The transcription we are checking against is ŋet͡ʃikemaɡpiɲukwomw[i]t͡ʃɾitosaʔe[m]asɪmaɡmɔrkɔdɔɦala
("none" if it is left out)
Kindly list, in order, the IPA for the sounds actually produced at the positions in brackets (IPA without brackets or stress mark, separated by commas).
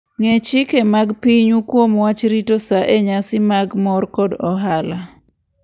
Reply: a, ɲ